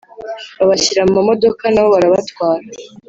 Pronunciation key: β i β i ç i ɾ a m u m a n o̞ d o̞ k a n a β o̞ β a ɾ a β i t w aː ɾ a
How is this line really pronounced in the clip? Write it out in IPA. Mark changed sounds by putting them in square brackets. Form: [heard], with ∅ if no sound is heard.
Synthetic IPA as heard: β [a] β [a] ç i ɾ a m u m a [m] o̞ d o̞ k a n a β o̞ β a ɾ a β [a] t w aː ɾ a